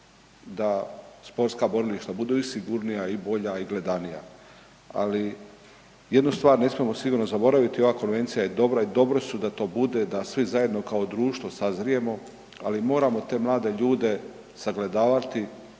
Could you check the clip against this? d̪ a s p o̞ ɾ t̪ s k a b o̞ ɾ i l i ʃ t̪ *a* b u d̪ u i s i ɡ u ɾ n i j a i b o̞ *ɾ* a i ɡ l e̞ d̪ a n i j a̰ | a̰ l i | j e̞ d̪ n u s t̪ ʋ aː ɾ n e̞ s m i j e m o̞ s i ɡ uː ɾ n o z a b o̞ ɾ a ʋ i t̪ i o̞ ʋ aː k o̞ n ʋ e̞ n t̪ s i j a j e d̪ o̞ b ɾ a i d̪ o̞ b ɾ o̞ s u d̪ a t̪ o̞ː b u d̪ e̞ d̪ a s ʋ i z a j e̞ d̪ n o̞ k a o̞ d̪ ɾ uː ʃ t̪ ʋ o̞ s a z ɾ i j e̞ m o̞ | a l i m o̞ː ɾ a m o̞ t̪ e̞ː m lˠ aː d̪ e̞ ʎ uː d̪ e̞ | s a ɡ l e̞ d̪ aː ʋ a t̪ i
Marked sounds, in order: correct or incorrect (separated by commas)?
correct, incorrect